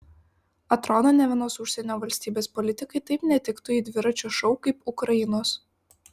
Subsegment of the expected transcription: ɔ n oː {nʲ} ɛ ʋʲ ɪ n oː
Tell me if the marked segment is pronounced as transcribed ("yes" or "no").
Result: yes